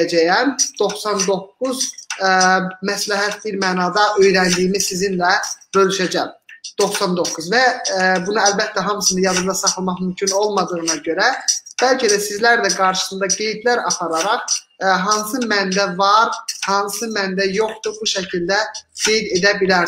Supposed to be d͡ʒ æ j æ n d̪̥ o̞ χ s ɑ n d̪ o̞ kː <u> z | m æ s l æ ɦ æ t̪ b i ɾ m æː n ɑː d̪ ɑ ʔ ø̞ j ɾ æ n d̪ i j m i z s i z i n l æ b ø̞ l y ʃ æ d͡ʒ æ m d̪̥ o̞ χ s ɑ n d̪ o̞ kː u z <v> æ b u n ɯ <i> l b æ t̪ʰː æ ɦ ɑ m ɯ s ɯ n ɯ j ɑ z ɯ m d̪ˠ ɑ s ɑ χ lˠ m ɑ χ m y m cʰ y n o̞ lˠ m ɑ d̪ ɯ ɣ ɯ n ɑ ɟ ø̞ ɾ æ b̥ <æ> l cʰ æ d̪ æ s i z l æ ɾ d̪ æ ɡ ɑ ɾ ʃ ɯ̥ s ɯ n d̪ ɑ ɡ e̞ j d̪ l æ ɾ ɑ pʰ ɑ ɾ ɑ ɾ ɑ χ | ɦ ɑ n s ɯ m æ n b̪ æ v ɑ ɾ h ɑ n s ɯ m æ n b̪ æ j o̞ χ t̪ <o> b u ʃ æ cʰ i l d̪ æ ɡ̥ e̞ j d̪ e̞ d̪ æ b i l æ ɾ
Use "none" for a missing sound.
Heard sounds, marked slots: u, v, æ, æ, u

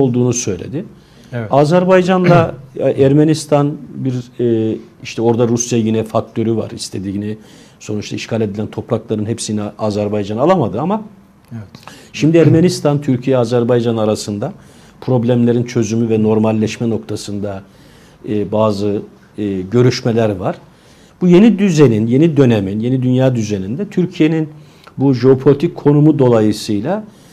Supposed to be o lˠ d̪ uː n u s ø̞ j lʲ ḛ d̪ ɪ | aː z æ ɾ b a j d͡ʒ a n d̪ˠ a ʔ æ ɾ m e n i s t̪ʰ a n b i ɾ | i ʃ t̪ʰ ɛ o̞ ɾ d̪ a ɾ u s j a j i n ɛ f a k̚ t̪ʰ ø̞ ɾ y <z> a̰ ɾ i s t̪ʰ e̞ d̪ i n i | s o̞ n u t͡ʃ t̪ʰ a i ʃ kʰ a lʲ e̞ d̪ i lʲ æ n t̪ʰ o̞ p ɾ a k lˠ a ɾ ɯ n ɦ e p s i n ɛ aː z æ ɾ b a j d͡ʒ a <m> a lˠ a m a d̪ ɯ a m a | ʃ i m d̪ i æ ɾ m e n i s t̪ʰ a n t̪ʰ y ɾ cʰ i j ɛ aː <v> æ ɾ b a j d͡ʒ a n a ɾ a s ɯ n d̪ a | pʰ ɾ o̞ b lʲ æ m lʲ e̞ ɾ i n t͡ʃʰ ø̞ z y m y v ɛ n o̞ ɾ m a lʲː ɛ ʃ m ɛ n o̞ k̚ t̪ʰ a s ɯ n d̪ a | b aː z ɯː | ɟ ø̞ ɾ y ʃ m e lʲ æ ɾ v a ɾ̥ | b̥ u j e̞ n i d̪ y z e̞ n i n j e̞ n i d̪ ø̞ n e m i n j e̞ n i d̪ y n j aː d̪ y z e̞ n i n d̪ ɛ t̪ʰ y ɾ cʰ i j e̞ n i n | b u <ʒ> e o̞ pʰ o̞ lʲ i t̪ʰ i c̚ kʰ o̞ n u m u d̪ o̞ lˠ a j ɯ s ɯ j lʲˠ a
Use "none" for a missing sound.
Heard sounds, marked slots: v, n, z, ʒ

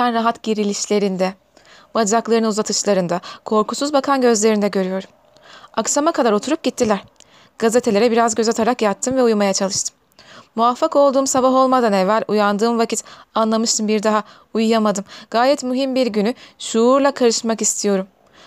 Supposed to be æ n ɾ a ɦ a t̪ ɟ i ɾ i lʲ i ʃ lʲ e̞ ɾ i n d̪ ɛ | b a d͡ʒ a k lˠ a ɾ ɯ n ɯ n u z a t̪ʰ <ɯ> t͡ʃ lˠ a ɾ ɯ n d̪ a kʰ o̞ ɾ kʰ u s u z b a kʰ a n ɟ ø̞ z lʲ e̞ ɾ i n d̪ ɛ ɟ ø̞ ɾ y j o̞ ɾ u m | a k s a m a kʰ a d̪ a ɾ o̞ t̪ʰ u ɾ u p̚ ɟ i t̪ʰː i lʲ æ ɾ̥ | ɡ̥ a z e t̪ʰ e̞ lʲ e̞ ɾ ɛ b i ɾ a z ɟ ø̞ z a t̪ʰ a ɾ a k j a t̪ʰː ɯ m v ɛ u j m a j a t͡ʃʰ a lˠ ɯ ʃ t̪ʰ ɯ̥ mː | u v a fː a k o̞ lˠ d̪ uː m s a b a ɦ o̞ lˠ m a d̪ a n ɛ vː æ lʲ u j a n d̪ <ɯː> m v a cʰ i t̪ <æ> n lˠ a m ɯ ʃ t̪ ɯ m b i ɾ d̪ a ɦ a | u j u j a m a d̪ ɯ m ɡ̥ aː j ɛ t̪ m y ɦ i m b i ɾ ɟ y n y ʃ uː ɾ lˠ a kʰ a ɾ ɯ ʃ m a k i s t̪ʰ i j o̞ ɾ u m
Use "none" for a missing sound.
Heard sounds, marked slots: ɯ, ɯː, a

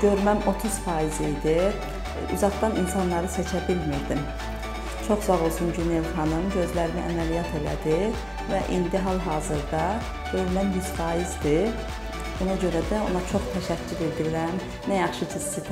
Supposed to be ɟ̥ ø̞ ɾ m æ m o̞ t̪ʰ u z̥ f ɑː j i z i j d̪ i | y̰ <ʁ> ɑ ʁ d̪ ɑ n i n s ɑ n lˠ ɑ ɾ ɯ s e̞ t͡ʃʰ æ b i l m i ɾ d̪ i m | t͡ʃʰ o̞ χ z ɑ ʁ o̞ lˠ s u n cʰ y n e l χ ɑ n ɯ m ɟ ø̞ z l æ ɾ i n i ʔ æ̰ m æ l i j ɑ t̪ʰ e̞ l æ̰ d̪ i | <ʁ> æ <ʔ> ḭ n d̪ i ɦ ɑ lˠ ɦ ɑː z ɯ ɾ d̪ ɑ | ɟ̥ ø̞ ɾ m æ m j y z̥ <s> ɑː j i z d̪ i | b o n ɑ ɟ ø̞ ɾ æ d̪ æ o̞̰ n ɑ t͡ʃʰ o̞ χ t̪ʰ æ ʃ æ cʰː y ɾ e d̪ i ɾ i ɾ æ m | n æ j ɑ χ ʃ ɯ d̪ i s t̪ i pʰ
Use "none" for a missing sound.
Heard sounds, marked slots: z, v, ʔ, f

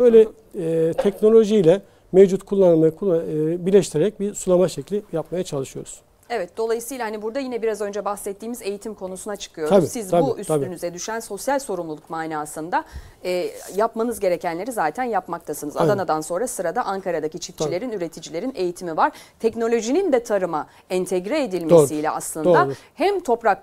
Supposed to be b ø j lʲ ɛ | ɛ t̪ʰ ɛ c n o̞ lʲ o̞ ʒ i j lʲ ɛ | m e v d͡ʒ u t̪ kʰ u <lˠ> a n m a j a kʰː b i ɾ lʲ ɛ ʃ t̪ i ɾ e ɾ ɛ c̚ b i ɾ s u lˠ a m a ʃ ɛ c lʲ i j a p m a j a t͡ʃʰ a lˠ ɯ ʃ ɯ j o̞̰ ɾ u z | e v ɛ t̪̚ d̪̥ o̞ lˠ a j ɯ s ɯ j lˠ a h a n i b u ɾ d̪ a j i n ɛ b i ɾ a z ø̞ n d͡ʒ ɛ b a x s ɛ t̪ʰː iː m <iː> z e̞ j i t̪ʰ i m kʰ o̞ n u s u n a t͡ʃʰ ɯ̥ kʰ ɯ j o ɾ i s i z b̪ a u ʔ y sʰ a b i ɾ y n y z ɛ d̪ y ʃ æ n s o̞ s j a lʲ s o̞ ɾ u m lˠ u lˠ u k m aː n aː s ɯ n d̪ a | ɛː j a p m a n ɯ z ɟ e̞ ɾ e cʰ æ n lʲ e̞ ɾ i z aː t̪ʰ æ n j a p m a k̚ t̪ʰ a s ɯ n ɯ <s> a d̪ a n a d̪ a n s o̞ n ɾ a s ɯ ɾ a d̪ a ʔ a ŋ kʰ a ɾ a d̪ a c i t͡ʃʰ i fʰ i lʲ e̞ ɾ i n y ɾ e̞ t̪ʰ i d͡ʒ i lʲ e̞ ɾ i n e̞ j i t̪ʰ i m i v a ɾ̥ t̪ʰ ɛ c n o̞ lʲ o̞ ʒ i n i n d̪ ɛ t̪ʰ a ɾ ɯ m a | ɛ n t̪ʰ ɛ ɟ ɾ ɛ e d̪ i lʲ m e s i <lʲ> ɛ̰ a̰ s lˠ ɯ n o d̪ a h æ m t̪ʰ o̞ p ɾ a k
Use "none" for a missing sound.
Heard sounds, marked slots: lˠː, i, z, lʲ

